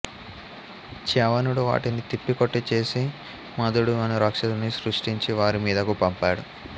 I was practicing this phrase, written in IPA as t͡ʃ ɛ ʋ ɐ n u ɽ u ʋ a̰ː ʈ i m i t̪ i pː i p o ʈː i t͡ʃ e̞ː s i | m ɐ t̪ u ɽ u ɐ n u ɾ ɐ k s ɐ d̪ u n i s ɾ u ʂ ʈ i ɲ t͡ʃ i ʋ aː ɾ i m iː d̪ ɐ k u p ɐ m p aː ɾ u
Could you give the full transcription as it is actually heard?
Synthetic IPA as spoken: t͡ʃ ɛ ʋ ɐ n u ɽ u ʋ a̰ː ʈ i n i t̪ i pː i k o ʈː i t͡ʃ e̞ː s i | m ɐ d̪ u ɽ u ɐ n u ɾ ɐ k ʂ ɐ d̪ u n i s ɾ u ʂ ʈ i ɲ t͡ʃ i ʋ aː ɾ i m iː d̪ ɐ k u p ɐ m p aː ɽ u